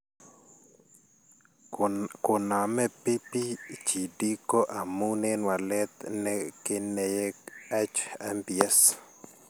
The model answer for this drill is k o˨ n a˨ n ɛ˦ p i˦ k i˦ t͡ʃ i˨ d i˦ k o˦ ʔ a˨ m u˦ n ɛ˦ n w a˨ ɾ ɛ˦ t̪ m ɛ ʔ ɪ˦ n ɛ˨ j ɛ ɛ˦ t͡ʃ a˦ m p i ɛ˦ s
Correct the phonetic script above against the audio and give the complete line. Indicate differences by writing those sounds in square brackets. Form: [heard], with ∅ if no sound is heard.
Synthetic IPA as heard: k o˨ n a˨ [m] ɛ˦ p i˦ [p] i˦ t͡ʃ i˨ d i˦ k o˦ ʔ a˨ m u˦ n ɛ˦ n w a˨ [l] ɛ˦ t̪ [n] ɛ [k] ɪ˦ n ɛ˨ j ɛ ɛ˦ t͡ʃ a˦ m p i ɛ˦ s